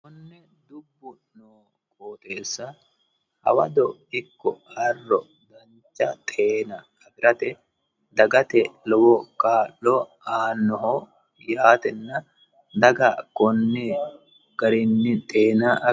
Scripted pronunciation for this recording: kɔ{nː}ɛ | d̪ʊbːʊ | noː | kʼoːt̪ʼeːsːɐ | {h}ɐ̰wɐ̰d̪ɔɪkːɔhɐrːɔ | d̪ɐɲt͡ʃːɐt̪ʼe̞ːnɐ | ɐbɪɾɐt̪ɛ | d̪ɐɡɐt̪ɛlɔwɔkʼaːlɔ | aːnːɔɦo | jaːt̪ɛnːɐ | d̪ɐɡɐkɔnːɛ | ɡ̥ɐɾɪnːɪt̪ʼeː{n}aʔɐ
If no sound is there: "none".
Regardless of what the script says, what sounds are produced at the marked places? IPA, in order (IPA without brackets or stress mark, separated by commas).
nː, h, n